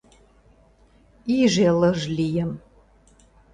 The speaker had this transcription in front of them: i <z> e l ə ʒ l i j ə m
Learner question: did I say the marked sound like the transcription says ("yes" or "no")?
no